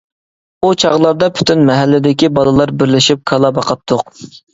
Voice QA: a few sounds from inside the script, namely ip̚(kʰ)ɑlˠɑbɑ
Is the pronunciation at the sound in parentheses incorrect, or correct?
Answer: correct